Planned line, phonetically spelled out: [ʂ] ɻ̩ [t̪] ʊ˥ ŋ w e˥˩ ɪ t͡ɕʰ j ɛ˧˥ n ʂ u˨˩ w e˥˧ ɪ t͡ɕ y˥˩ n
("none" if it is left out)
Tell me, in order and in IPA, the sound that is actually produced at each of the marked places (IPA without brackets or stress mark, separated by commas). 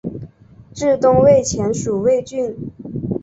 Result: ʈ͡ʂ, t̪